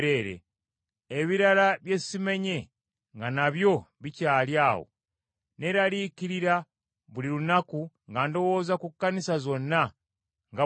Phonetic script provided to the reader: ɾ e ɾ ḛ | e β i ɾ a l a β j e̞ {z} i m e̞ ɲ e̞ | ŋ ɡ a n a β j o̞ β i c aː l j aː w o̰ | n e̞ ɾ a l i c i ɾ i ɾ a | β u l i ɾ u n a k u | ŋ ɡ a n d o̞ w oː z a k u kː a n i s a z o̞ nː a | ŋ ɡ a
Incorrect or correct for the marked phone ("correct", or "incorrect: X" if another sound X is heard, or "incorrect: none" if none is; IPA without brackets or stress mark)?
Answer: incorrect: s